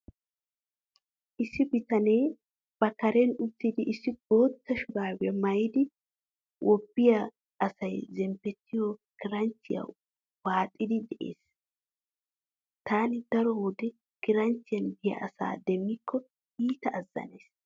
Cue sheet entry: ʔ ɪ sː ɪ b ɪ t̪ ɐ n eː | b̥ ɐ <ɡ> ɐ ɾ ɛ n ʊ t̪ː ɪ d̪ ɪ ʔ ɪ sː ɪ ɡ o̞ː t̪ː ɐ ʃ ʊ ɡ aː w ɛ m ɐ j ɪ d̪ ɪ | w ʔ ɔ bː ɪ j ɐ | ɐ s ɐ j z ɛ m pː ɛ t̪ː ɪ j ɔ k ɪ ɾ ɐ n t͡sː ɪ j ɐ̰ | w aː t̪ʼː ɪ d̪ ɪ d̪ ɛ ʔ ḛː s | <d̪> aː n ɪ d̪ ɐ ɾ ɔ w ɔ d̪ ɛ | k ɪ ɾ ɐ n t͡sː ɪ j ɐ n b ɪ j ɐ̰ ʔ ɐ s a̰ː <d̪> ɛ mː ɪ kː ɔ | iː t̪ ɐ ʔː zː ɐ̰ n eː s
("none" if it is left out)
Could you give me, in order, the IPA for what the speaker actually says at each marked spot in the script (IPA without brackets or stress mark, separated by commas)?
k, t̪, d̪